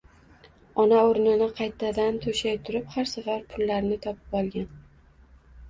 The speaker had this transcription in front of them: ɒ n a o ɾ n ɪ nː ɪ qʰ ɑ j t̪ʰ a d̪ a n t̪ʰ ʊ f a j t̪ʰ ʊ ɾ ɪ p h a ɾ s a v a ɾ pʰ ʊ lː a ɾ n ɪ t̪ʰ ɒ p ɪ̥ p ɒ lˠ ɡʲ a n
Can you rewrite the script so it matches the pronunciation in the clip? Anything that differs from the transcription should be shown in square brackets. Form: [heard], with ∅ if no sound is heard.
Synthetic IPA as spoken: ɒ n a o ɾ n ɪ [n] ɪ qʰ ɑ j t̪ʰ a d̪ a n t̪ʰ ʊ [ʃ] a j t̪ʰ ʊ ɾ ɪ p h a ɾ s a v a ɾ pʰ ʊ lː a ɾ n ɪ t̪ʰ ɒ p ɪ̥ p ɒ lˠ ɡʲ a n